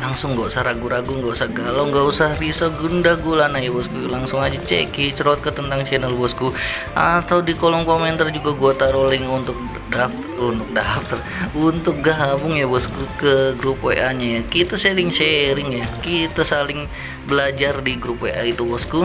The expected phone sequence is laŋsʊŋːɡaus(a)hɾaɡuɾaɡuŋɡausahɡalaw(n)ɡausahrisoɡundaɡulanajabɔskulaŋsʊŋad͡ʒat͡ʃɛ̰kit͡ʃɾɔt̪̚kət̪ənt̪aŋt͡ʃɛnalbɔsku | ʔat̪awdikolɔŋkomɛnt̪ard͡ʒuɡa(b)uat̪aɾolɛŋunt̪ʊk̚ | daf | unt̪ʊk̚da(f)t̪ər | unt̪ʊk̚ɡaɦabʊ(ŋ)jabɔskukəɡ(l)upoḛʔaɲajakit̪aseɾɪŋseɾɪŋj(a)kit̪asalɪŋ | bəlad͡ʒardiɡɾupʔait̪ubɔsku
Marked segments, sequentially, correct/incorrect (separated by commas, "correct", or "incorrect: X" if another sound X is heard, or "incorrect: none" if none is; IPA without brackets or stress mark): correct, incorrect: ŋ, incorrect: ɡ, correct, correct, incorrect: ɾ, correct